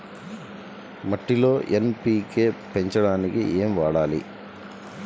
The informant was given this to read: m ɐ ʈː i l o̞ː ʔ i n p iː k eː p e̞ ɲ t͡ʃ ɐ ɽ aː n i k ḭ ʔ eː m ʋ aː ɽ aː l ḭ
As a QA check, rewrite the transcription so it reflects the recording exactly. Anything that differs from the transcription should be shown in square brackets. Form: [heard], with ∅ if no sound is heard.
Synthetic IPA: m ɐ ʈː i l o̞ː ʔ [e] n p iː k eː p e̞ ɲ t͡ʃ ɐ ɽ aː n i k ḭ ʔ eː m ʋ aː ɽ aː l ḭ